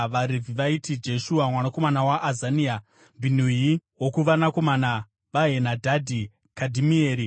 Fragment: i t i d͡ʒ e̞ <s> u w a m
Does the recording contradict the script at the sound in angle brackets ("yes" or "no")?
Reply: yes